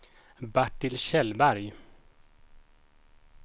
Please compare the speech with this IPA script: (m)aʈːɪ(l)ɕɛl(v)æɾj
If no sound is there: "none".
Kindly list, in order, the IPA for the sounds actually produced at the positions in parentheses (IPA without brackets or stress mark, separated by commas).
b, l, b